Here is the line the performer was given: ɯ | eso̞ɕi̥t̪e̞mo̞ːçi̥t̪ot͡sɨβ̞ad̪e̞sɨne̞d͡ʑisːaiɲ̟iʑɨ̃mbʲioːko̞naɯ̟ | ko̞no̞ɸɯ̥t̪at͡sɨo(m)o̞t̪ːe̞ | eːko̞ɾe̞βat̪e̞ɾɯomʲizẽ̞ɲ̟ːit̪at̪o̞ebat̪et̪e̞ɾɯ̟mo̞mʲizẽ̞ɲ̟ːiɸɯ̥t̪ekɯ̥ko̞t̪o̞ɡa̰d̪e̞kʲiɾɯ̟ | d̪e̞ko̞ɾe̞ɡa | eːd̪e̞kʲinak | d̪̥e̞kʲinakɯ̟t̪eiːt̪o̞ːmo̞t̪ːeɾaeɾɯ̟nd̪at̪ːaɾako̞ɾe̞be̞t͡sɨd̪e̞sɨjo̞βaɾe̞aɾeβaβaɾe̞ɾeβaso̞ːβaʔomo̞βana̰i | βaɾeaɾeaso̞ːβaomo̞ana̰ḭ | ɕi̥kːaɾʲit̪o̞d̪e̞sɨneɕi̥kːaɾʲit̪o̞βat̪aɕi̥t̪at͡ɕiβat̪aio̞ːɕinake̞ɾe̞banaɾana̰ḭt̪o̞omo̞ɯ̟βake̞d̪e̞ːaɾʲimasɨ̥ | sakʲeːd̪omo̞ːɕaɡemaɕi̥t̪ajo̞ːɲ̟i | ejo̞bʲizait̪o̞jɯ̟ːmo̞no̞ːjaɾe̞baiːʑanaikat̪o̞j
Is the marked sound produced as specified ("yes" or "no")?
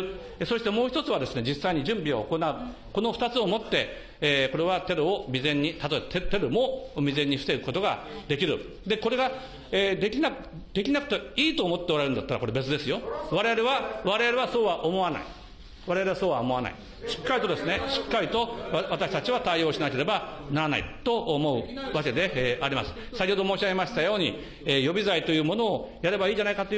yes